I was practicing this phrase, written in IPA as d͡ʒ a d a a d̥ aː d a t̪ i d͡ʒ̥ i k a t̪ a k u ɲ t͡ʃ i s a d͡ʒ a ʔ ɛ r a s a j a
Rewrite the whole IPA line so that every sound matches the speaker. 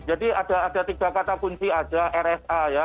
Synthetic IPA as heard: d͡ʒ a d i a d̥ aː d a t̪ i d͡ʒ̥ a k a t̪ a k u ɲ t͡ʃ i a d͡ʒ a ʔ ɛ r ɛ s a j a